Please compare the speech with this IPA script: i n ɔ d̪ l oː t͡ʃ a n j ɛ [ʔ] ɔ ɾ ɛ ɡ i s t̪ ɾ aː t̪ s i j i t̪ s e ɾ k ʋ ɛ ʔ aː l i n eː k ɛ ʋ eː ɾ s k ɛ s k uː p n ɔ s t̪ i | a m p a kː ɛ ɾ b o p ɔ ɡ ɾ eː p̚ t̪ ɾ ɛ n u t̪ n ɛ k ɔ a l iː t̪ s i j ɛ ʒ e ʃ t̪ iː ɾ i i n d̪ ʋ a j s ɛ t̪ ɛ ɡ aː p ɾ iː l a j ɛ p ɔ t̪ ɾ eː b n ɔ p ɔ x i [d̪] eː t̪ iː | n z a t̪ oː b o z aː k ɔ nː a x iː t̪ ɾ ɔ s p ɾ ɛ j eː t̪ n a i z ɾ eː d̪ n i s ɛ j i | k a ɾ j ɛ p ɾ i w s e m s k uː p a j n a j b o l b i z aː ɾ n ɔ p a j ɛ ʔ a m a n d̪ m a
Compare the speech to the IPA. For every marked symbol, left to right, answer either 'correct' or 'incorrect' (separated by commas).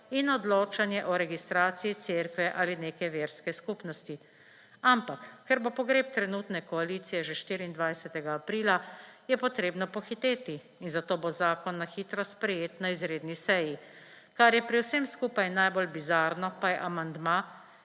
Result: correct, incorrect